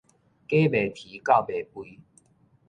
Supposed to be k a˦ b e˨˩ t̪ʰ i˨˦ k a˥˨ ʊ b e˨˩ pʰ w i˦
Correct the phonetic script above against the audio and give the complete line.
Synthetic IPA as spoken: k e˦ b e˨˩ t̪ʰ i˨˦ k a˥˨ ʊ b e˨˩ p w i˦